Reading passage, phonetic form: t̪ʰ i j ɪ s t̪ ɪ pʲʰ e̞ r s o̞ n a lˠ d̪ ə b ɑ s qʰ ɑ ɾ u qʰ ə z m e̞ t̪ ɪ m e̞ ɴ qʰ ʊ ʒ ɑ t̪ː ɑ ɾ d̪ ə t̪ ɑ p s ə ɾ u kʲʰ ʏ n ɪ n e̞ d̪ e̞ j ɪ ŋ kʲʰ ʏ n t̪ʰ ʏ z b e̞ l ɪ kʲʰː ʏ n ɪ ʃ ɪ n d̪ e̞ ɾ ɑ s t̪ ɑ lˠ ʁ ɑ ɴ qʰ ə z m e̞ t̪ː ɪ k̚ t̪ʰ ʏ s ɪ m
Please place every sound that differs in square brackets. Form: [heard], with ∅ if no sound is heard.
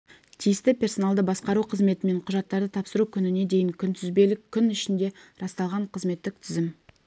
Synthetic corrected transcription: t̪ʰ i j ɪ s t̪ ɪ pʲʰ e̞ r s o̞ n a lˠ d̪ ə b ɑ s [q] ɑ ɾ u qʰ ə z m e̞ t̪ ɪ m e̞ ɴ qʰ ʊ ʒ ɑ t̪ː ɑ ɾ d̪ ə [t̪ʰ] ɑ p s ə ɾ u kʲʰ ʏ n ɪ n e̞ d̪ e̞ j ɪ ŋ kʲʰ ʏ n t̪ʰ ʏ z b e̞ l ɪ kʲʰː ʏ n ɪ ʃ ɪ n d̪ e̞ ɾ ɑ s t̪ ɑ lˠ ʁ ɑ ɴ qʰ ə z m e̞ t̪ː ɪ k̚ t̪ʰ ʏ [z] ɪ m